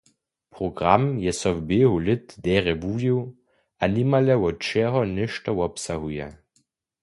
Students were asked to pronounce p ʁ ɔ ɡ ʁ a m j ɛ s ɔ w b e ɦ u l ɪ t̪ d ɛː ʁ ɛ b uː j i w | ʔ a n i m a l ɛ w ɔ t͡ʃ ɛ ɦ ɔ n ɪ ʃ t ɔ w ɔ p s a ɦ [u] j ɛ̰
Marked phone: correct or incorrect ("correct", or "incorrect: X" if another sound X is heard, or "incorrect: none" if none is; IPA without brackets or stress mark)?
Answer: correct